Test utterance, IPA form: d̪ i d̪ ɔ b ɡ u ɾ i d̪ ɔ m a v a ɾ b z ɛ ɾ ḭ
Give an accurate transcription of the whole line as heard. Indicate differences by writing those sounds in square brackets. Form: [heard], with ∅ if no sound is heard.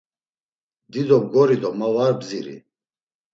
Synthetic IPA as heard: d̪ i d̪ ɔ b ɡ [ɔ] ɾ i d̪ ɔ m a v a ɾ b z [i] ɾ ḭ

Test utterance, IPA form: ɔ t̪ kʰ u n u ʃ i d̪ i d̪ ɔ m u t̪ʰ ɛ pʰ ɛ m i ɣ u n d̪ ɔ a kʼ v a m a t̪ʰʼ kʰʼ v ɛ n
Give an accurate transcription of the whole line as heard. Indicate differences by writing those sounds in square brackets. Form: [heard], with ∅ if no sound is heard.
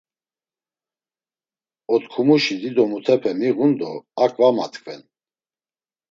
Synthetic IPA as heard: ɔ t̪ kʰ u [m] u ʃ i d̪ i d̪ ɔ m u t̪ʰ ɛ pʰ ɛ m i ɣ u n d̪ ɔ a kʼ v a m a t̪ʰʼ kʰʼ v ɛ n

